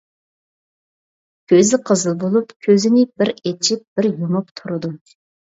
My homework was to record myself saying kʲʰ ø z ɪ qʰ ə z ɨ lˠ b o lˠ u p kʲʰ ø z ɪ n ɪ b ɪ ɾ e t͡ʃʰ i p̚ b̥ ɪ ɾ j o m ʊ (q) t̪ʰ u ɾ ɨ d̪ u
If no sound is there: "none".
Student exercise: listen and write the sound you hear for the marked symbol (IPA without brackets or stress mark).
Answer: p